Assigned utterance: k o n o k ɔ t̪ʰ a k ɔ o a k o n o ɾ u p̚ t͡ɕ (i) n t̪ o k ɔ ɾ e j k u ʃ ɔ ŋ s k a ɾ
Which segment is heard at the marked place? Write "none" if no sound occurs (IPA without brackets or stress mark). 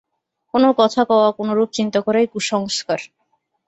i